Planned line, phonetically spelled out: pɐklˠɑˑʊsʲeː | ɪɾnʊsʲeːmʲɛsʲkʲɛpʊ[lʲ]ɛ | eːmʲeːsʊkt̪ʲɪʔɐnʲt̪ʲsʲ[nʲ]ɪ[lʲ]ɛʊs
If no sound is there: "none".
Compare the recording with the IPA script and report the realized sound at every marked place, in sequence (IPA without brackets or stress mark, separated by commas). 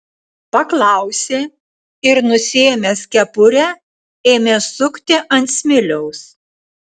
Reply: ɾʲ, mʲ, lʲ